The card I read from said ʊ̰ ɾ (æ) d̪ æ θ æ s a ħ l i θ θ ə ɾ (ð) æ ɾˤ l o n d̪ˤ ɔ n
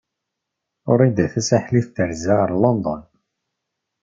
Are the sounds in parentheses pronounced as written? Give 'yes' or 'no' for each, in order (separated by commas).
no, no